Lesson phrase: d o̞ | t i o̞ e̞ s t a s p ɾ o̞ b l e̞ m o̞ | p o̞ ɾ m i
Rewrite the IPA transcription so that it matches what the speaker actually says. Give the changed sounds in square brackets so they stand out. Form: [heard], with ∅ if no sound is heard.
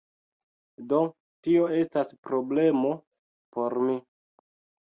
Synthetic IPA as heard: d o̞ | t i o̞ e̞ s t a s p ɾ o̞ b l e̞ m o̞ | p o̞ ɾ m i